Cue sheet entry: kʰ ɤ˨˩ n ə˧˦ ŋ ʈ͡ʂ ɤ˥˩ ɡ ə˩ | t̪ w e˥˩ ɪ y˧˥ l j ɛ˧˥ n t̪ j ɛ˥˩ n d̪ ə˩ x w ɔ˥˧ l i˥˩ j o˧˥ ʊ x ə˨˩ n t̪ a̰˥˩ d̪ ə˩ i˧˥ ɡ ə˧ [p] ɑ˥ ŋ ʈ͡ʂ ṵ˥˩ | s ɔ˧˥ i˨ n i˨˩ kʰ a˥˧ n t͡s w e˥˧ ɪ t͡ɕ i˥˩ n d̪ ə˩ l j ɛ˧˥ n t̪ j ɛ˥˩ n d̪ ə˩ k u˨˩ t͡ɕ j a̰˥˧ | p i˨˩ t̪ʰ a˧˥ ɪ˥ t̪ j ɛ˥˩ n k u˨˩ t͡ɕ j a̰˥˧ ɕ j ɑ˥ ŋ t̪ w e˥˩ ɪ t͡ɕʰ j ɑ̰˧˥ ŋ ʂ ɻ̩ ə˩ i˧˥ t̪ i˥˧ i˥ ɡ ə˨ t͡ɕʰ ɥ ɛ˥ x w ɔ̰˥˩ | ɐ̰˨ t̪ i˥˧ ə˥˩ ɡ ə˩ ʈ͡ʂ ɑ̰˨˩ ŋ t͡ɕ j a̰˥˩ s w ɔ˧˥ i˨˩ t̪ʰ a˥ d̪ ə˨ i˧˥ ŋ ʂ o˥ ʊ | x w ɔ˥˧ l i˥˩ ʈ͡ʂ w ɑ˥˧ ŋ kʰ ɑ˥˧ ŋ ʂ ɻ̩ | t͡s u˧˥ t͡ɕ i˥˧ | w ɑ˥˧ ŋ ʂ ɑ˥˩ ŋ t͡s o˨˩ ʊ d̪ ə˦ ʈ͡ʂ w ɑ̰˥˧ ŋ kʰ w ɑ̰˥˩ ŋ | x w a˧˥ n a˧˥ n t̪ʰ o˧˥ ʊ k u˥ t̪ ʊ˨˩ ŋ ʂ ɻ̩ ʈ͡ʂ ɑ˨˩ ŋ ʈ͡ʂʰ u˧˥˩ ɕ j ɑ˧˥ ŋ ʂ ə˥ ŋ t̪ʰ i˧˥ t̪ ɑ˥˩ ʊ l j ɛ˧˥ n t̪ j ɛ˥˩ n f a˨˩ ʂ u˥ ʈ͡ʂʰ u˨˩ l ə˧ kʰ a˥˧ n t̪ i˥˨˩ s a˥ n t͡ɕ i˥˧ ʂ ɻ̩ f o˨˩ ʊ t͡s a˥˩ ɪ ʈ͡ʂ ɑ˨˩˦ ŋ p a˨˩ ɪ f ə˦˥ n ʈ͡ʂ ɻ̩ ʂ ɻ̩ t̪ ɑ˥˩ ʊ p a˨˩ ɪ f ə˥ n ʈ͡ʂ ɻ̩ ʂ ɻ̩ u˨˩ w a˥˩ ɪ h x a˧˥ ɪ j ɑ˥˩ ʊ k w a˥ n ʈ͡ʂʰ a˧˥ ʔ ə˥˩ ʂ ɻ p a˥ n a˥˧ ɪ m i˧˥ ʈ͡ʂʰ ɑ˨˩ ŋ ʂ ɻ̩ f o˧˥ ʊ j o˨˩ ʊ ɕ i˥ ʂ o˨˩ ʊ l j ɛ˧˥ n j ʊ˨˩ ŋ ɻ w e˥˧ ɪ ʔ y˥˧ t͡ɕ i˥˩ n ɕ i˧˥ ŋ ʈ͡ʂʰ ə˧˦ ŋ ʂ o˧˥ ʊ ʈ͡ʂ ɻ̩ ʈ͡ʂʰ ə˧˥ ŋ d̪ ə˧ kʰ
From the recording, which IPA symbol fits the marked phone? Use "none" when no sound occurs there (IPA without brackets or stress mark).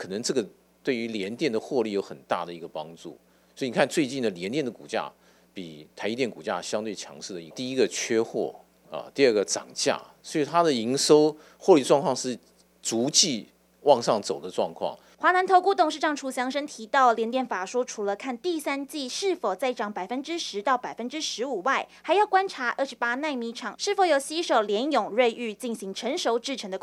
p